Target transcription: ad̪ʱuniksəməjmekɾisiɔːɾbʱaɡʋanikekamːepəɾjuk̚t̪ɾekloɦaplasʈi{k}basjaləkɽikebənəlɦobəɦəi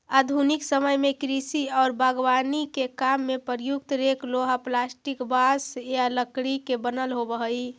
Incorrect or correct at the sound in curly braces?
correct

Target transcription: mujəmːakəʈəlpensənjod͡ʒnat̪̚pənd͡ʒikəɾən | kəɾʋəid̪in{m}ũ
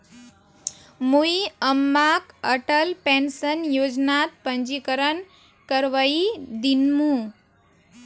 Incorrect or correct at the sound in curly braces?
correct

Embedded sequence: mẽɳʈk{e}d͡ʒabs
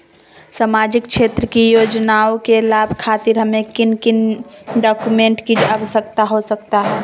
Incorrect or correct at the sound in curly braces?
incorrect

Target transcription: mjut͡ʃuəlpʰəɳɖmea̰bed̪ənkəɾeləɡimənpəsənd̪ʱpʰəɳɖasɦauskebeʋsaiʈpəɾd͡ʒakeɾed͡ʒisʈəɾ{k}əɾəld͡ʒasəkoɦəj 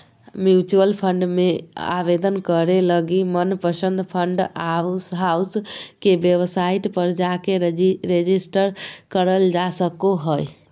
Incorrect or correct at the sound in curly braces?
correct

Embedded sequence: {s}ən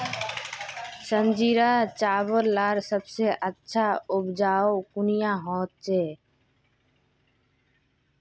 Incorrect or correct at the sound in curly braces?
correct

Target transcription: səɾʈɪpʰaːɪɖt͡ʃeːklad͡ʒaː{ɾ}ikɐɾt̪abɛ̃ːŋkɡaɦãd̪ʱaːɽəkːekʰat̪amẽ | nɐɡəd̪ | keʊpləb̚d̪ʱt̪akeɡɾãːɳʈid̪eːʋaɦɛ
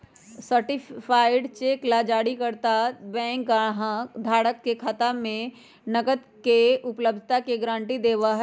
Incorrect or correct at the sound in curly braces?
incorrect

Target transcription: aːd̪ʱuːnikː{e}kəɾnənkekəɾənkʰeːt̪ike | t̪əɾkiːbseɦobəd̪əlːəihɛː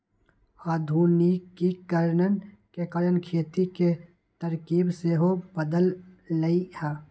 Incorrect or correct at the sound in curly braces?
incorrect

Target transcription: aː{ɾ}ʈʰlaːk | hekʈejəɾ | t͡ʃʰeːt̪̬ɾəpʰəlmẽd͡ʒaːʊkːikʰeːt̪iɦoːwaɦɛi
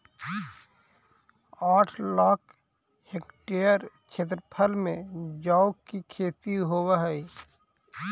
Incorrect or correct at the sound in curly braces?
incorrect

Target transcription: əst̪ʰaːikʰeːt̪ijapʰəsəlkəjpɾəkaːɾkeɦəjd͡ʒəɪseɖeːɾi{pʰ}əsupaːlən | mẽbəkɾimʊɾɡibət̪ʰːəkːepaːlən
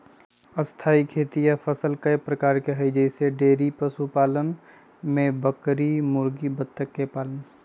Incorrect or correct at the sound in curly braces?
incorrect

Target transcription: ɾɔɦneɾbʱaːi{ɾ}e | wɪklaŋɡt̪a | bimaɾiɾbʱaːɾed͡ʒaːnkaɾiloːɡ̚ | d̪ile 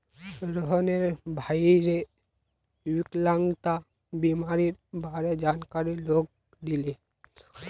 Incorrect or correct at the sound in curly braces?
correct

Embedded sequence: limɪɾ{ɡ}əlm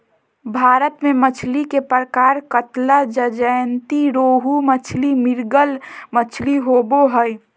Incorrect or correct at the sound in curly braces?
correct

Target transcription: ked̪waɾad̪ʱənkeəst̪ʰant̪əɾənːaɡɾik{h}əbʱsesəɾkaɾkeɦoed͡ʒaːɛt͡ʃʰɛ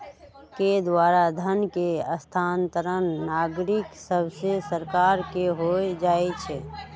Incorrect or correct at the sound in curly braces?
incorrect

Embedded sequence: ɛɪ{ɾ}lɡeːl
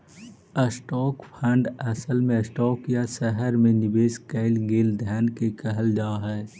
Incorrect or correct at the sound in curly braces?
incorrect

